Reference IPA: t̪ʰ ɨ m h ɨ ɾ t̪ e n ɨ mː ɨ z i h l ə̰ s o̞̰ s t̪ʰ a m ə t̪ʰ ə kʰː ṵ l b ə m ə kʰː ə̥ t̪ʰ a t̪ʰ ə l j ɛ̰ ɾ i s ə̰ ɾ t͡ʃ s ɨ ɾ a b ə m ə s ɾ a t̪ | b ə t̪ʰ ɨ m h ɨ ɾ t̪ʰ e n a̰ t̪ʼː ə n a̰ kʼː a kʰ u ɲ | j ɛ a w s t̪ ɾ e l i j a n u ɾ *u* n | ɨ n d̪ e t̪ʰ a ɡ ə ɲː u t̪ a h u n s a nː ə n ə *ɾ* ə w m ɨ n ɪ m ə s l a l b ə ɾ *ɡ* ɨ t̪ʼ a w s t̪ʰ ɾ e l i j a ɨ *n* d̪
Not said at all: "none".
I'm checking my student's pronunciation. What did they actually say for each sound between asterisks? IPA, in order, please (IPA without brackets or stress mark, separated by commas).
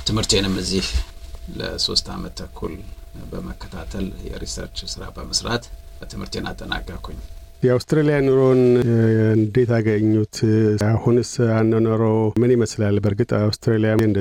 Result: o, ɾ, ɡ, n